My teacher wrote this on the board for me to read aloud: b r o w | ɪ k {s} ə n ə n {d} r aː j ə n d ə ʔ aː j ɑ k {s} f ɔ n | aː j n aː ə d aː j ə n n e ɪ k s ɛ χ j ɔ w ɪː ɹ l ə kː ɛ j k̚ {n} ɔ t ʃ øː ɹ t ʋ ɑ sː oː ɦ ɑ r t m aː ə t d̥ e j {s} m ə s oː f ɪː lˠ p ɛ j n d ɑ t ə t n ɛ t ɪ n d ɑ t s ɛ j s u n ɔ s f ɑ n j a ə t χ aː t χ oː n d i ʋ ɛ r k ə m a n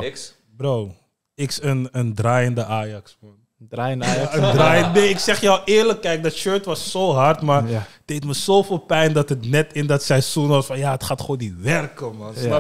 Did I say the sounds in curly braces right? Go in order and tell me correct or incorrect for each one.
correct, correct, correct, incorrect: d, incorrect: t

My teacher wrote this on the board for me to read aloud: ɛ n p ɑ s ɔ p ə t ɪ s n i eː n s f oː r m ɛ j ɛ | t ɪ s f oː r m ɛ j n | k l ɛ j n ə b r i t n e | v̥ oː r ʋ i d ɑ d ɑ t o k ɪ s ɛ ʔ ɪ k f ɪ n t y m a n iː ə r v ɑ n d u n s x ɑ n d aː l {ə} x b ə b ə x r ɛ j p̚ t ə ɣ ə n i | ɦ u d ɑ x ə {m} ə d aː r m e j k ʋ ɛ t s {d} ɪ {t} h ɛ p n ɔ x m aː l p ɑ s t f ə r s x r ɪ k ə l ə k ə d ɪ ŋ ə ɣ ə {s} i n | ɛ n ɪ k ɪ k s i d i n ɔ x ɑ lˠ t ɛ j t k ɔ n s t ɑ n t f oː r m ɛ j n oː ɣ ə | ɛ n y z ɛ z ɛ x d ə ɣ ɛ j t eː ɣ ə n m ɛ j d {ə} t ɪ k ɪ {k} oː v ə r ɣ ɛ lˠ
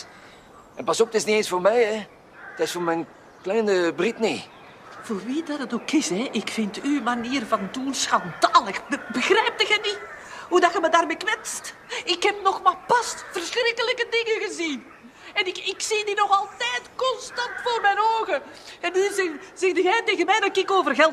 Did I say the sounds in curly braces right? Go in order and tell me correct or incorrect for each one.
correct, correct, incorrect: t, incorrect: k, incorrect: z, incorrect: ɑ, correct

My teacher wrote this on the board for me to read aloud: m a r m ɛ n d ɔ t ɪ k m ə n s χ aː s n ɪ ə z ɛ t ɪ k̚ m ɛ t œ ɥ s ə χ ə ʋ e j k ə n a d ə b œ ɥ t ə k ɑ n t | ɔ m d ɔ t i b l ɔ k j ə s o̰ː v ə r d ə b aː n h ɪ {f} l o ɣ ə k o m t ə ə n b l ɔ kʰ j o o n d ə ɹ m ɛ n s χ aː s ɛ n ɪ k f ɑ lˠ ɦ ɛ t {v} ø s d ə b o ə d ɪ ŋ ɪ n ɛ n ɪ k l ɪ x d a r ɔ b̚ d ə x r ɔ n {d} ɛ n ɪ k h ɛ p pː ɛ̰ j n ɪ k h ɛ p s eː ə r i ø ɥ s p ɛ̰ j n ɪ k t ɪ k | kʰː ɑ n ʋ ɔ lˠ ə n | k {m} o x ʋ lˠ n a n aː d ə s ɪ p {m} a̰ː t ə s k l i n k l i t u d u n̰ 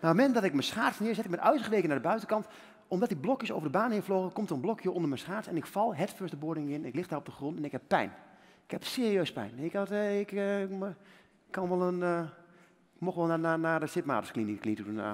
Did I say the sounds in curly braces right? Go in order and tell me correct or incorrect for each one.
correct, incorrect: f, incorrect: t, correct, correct

